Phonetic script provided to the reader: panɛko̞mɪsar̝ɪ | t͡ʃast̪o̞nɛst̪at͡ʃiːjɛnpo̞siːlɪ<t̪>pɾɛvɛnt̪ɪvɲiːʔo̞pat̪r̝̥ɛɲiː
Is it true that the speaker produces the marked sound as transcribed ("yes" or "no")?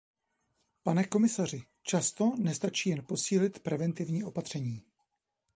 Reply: yes